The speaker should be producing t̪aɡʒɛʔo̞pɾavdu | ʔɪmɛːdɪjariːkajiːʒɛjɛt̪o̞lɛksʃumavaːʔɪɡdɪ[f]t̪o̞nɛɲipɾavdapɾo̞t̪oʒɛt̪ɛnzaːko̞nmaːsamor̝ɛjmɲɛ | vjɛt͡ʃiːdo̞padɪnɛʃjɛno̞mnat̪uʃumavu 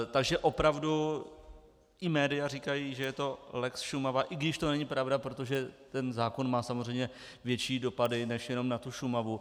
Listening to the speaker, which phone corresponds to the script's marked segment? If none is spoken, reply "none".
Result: ʃ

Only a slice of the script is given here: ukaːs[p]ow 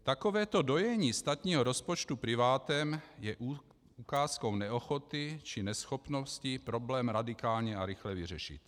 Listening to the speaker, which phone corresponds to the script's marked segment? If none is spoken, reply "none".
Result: k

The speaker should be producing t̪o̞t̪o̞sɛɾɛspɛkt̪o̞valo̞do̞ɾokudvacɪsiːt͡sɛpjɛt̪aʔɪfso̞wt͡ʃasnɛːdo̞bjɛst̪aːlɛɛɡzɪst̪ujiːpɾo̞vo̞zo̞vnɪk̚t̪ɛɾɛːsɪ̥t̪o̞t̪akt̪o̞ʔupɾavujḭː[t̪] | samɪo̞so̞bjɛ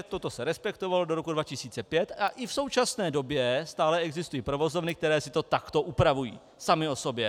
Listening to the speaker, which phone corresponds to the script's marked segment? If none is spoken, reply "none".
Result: none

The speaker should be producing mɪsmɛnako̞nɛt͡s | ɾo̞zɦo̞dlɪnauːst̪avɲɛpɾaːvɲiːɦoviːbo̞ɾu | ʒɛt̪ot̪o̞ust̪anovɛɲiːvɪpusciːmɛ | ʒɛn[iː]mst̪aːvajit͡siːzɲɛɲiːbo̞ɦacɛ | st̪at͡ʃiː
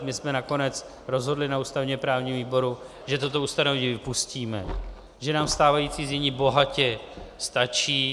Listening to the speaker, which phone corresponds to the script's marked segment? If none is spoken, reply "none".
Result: aː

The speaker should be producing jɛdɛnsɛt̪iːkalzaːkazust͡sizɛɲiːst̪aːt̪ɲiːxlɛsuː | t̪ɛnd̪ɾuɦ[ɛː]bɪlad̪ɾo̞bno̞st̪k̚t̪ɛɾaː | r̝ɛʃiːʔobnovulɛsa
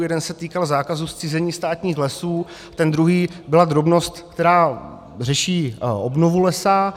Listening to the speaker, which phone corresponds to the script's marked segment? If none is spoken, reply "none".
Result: iː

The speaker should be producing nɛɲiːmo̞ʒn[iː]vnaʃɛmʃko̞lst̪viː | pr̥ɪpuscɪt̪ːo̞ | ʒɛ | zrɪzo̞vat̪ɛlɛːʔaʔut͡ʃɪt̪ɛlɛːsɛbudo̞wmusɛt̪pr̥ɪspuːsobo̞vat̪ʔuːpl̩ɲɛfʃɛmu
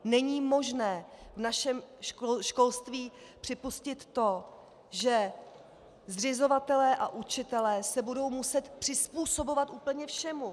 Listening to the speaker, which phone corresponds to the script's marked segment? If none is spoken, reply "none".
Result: ɛː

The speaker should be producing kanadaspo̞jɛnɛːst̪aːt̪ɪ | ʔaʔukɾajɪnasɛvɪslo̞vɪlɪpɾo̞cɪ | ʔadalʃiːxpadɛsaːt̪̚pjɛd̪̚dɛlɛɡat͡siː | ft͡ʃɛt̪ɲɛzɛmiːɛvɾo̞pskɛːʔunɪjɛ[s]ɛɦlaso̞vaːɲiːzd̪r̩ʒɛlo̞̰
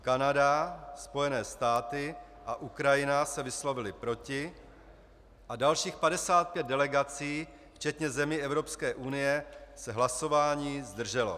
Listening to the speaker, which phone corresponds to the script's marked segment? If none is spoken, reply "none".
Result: s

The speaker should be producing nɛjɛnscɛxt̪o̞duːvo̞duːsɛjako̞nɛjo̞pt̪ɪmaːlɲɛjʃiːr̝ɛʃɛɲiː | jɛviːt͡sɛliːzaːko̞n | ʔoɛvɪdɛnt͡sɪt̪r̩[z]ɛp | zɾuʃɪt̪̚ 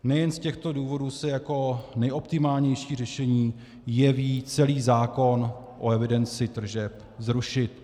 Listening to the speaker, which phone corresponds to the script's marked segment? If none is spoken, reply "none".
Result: ʒ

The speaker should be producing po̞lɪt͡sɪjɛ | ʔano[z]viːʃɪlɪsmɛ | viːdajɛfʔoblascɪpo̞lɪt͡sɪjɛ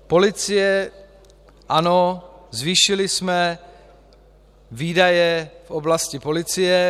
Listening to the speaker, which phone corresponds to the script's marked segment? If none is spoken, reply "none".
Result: z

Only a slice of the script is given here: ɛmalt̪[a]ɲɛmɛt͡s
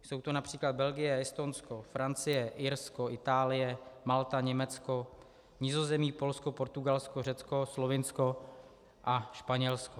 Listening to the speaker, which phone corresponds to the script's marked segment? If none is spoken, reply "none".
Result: a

